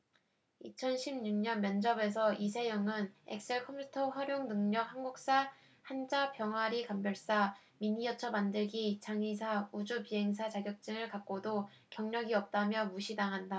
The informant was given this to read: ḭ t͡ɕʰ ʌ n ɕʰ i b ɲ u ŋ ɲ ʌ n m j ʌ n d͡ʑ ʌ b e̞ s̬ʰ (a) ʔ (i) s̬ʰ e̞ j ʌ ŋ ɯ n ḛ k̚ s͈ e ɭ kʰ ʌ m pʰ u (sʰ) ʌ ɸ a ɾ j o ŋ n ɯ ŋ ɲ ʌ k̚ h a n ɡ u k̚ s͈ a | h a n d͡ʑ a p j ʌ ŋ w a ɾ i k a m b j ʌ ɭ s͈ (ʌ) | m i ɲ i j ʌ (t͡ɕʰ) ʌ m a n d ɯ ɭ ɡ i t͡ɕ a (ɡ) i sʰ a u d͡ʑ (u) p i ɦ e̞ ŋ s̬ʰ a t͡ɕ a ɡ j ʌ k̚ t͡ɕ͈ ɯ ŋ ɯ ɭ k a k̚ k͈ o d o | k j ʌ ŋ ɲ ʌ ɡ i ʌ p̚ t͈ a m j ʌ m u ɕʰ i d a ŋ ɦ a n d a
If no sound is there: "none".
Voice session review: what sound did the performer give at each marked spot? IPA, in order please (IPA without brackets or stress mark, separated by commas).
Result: ʌ, i, tʰ, a, t͡ɕʰ, ŋ, u